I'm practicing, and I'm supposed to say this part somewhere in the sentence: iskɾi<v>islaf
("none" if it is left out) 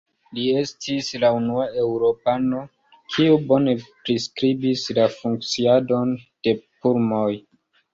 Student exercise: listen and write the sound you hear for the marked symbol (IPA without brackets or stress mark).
b